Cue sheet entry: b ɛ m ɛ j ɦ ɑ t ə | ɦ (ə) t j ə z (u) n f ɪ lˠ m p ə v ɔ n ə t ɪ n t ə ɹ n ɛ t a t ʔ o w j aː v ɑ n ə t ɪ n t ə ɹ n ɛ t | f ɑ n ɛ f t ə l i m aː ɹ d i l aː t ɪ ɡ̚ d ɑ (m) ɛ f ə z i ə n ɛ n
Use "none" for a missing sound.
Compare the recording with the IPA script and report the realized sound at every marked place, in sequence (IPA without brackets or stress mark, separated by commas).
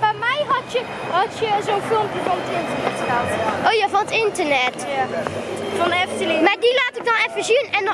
ɑ, o, n